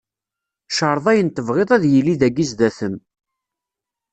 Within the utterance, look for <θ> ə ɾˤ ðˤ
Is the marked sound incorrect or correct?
incorrect